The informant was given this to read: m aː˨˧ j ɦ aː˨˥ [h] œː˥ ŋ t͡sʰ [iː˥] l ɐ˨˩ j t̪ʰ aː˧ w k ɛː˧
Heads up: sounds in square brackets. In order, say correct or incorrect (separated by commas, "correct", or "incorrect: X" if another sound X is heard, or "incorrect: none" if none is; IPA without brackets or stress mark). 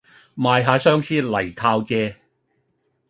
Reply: incorrect: s, correct